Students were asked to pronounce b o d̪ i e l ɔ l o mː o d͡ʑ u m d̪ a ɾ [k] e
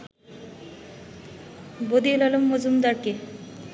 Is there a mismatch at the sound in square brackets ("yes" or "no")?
no